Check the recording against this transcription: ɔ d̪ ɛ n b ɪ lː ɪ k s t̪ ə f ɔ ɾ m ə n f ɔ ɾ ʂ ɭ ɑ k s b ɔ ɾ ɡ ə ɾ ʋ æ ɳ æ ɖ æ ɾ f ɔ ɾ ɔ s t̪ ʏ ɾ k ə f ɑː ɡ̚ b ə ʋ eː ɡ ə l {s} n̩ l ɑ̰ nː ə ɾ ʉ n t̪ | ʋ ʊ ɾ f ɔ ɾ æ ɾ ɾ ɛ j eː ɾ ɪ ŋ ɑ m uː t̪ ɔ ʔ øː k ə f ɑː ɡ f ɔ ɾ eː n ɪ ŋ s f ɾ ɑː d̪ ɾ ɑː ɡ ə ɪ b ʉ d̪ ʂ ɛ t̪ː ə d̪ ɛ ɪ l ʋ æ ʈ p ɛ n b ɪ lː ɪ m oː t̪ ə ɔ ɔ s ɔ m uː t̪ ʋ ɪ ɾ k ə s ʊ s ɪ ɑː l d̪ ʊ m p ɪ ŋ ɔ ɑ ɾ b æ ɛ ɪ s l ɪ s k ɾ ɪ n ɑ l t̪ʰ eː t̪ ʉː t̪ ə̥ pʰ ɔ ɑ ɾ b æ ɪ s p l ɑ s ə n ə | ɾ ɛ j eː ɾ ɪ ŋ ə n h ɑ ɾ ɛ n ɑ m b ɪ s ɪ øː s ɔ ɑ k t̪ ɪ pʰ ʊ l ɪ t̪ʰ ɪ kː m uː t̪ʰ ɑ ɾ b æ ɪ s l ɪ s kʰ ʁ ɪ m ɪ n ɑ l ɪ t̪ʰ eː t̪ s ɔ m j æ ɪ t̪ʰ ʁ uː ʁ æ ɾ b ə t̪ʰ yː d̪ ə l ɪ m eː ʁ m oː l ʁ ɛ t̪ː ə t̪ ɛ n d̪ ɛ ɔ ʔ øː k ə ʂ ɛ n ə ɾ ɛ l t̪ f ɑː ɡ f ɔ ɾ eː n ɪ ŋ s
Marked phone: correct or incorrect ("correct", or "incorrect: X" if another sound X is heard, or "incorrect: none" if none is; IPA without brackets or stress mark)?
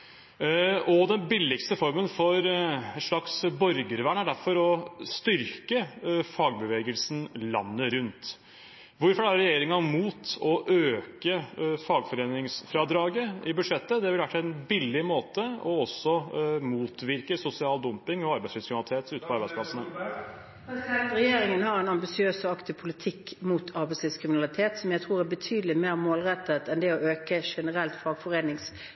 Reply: correct